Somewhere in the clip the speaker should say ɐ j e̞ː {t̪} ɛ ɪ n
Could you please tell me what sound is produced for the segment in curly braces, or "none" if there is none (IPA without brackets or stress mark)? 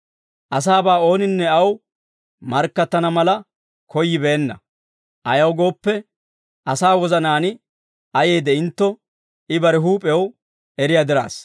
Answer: d̪